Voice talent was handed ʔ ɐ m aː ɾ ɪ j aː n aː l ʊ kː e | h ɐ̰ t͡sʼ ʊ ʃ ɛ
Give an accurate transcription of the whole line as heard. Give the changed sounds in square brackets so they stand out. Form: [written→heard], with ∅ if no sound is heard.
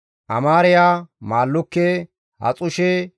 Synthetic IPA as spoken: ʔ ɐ m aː ɾ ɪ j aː [n→m] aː [l→lː] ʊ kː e | h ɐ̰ t͡sʼ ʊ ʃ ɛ